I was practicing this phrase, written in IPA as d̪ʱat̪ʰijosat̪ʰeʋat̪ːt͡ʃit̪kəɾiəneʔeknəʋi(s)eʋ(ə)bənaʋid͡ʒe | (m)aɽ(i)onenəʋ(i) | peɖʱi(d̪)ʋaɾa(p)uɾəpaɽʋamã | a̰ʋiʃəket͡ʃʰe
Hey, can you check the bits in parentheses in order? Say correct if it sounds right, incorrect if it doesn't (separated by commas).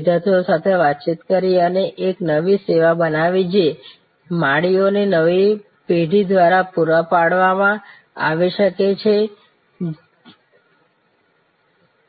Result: correct, incorrect, correct, correct, correct, correct, correct